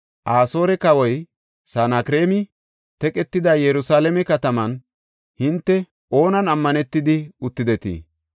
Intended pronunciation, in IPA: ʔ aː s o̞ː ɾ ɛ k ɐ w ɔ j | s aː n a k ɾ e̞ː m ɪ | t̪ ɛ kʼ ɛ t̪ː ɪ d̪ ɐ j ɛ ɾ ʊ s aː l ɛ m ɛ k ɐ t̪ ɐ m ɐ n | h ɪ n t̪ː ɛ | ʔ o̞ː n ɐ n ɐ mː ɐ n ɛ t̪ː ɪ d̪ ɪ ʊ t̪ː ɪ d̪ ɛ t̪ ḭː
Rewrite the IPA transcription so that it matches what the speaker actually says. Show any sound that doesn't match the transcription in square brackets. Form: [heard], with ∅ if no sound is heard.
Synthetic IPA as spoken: ʔ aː s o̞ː ɾ ɛ k ɐ w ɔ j | s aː n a k ɾ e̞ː m ɪ | t̪ ɛ kʼ ɛ t̪ː ɪ d̪ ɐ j ɛ ɾ ʊ s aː l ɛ m ɛ k ɐ t̪ ɐ m ɐ n | h ɪ n t̪ː ɛ | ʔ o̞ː n ɐ n ɐ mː ɐ n ɛ t̪ː ɪ d̪ ɪ ʊ t̪ː ɪ d̪ ɛ t̪ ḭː